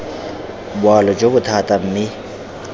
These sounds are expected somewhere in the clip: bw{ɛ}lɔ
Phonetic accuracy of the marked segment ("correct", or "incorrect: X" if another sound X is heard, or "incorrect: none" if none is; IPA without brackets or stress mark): incorrect: a